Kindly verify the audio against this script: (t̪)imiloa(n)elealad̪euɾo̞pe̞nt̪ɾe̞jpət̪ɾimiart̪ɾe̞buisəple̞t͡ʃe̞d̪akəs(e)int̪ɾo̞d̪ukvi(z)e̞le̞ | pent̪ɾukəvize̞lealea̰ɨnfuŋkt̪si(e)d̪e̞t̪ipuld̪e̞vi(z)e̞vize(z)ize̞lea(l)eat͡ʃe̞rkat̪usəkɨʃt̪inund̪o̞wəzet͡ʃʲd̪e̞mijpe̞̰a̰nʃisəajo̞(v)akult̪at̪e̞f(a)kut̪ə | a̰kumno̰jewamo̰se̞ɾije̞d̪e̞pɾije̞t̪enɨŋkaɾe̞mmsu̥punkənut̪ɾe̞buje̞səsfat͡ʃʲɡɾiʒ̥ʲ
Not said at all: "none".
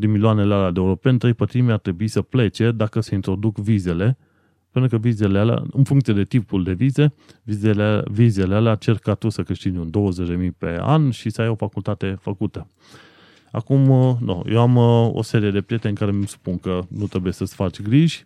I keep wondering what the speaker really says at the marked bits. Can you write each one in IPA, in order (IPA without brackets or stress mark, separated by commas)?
d̪, n, e, z, e, z, v, l, f, ə